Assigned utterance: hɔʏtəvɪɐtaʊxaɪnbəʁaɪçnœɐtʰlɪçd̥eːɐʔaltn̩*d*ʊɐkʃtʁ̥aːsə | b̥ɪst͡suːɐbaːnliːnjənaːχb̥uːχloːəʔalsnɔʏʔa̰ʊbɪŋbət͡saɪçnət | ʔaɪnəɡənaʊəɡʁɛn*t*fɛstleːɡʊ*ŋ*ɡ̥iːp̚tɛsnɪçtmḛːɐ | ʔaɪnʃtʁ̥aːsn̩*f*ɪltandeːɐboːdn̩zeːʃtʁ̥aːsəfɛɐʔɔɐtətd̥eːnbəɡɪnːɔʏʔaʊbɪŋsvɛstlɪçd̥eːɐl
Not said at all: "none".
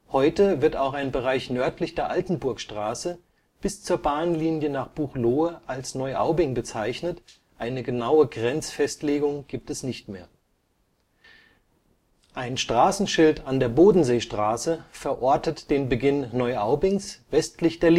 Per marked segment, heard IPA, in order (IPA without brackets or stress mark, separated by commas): b, t͡s, ŋ, ʃ